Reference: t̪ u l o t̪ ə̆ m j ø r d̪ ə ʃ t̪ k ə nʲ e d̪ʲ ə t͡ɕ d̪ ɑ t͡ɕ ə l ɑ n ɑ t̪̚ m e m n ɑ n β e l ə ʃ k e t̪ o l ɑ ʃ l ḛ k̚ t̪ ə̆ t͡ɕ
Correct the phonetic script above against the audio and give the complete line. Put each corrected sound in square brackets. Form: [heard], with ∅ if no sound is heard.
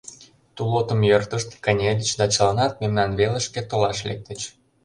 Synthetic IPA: t̪ u l o t̪ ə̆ m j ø r [t̪] ə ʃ t̪ k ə nʲ e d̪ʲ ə t͡ɕ d̪ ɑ t͡ɕ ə l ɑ n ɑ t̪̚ m e m n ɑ n β e l ə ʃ k e t̪ o l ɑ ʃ l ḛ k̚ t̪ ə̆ t͡ɕ